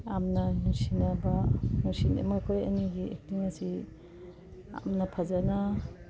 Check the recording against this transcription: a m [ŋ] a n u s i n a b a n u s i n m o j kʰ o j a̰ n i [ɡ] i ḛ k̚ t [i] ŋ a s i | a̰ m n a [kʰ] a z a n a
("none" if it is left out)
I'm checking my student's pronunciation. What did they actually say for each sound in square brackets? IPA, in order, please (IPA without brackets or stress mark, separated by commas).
n, ɡ, i, pʰ